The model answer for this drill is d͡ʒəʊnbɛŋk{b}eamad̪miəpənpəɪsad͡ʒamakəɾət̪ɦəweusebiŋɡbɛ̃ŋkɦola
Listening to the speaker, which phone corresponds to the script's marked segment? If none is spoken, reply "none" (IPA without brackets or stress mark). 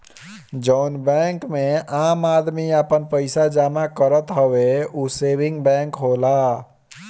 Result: m